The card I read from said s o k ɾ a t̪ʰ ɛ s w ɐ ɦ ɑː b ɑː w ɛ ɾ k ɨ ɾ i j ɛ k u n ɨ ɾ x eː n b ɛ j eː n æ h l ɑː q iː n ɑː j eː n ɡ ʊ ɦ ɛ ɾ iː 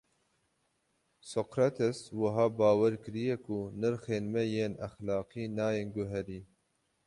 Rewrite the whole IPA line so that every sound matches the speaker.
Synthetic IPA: s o k ɾ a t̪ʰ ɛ s w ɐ ɦ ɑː b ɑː w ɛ ɾ k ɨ ɾ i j ɛ k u n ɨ ɾ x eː n m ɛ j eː n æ x l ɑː q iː n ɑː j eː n ɡ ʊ ɦ ɛ ɾ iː